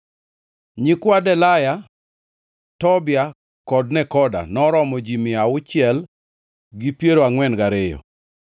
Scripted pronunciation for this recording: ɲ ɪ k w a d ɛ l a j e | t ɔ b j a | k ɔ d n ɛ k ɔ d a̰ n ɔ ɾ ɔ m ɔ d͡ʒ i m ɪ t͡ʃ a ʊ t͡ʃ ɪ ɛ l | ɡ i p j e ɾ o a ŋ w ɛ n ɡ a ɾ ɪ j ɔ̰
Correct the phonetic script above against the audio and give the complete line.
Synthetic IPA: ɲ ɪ k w a d ɛ l a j a | t ɔ b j a | k ɔ d n ɛ k ɔ d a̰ n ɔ ɾ ɔ m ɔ d͡ʒ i m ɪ a ʊ t͡ʃ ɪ ɛ l | ɡ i p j e ɾ o a ŋ w ɛ n ɡ a ɾ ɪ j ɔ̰